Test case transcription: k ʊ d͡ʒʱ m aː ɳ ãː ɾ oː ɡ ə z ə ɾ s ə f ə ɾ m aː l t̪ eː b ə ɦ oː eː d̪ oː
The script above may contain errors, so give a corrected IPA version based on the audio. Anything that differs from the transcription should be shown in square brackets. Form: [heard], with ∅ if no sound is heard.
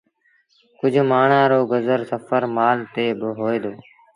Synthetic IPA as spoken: k ʊ d͡ʒʱ m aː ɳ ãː ɾ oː ɡ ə z ə ɾ s ə f ə ɾ m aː l t̪ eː b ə ɦ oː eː d̪ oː

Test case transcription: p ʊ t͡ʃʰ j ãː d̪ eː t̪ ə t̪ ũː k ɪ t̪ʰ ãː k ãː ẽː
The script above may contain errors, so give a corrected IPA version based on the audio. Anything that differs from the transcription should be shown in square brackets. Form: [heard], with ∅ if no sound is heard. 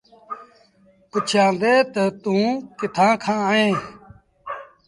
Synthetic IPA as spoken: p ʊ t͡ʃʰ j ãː d̪ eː t̪ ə t̪ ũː k ɪ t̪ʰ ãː [kʰ] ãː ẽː

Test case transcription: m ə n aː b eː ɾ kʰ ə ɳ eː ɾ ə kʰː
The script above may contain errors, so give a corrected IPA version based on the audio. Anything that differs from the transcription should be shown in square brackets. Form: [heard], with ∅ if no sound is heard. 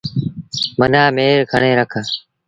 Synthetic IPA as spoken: m ə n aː [m] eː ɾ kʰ ə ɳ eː ɾ ə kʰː

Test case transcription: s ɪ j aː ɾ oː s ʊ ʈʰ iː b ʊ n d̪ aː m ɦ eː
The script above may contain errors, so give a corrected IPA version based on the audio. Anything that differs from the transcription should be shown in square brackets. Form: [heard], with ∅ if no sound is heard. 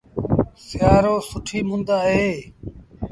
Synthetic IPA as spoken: s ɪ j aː ɾ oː s ʊ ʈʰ iː [m] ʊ n d̪ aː [∅] ɦ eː

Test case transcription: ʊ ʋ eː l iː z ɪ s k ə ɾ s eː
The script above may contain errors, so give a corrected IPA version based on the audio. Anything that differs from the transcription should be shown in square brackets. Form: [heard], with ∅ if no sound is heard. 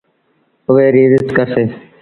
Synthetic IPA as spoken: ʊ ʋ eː [ɾ] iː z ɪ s k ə ɾ s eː

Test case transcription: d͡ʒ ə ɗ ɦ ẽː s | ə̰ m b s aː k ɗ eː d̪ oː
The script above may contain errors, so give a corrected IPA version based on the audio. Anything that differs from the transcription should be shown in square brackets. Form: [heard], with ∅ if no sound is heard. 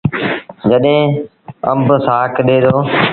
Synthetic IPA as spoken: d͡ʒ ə ɗ ɦ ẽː [∅] | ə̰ m b s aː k ɗ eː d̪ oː

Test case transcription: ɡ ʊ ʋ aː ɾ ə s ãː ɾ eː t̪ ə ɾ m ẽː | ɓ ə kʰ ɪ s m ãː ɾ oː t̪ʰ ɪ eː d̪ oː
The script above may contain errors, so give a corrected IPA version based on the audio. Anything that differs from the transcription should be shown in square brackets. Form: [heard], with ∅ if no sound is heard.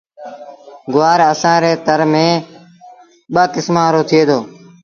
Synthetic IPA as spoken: ɡ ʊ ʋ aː ɾ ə s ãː ɾ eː t̪ ə ɾ m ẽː | ɓ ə [k] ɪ s m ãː ɾ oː t̪ʰ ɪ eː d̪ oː

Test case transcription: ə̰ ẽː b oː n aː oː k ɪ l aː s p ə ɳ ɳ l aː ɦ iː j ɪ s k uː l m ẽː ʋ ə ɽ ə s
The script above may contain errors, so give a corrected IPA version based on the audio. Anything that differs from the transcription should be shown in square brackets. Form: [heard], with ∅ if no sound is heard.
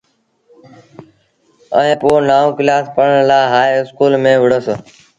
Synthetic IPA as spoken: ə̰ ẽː [p] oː n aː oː k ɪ l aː s p ə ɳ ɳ l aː ɦ [aː] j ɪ s k uː l m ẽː ʋ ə ɽ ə s

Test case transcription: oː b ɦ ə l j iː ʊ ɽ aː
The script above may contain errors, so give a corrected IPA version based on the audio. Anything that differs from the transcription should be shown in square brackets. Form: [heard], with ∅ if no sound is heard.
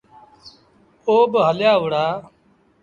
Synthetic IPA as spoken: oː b ɦ ə l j [aː] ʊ ɽ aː

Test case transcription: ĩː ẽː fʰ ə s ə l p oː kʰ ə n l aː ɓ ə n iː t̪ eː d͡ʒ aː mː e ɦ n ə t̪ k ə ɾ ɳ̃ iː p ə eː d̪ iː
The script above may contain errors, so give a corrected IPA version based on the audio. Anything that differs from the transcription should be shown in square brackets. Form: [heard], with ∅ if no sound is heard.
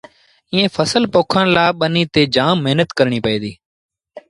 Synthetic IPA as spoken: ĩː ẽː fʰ ə s ə l p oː kʰ ə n l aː ɓ ə n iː t̪ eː d͡ʒ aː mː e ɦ n ə t̪ k ə ɾ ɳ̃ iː p ə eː d̪ iː

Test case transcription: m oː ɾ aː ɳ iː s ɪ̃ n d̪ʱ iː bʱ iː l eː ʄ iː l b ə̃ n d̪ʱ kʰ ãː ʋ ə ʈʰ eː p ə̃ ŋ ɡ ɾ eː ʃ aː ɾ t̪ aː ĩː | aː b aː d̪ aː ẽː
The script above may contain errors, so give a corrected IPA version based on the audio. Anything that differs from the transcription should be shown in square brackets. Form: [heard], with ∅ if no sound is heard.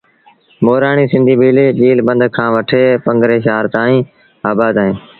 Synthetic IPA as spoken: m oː ɾ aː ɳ iː s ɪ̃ n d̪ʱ iː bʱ iː l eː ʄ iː l b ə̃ n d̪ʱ kʰ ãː ʋ ə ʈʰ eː p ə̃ ŋ ɡ ɾ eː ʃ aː ɾ t̪ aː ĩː | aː b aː d̪ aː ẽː

